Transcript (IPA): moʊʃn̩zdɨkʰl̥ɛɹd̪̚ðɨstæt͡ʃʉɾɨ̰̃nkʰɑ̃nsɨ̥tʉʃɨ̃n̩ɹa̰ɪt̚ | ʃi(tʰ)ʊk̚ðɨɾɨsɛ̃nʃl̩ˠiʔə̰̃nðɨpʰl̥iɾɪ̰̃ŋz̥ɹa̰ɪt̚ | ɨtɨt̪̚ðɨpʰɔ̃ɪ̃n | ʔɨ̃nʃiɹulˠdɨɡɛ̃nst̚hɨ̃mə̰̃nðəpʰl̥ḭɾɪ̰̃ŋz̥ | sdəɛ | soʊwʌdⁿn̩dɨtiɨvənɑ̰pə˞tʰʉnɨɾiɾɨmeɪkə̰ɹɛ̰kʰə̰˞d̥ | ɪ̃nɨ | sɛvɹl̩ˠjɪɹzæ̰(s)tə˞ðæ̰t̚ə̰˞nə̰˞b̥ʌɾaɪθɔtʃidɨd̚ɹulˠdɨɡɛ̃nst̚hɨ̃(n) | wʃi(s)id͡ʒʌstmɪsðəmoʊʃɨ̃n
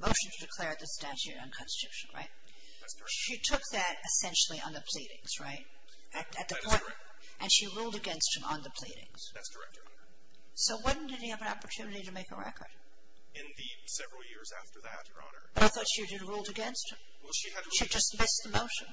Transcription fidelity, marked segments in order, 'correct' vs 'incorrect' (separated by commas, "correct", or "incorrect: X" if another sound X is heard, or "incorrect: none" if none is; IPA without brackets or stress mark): correct, incorrect: f, incorrect: m, incorrect: ʃ